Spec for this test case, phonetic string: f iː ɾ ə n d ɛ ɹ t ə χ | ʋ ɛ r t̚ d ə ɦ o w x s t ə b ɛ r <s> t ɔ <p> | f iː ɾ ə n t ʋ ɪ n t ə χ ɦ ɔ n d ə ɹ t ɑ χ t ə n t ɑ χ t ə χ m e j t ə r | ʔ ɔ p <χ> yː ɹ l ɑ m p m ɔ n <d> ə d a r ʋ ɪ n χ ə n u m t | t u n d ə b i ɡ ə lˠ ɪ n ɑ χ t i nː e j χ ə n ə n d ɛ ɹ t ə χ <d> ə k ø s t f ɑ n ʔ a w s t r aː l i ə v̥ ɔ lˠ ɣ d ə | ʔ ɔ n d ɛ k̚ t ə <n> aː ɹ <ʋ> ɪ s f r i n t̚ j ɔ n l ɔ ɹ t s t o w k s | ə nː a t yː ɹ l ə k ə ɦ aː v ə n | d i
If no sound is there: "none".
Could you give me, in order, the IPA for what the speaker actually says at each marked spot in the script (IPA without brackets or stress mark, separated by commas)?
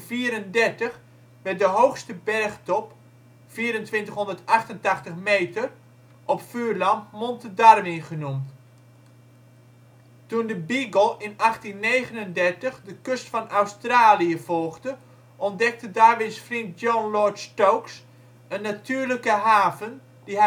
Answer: χ, p, f, t, d, d, ʋ